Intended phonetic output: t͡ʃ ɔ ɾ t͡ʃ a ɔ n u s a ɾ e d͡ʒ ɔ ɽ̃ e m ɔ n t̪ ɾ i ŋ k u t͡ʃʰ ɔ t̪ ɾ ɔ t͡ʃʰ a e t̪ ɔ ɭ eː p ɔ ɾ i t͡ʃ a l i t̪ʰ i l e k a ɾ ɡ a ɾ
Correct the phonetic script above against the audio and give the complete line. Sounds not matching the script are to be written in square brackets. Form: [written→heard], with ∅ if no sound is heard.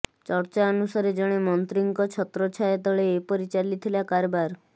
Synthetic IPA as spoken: t͡ʃ ɔ ɾ t͡ʃ a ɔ n u s a ɾ e d͡ʒ ɔ ɽ̃ e m ɔ n t̪ ɾ i ŋ k [u→ɔ] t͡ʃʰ ɔ t̪ ɾ ɔ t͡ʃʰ a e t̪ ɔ ɭ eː p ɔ ɾ i t͡ʃ a l i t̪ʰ i l [e→a] k a ɾ [ɡ→b] a ɾ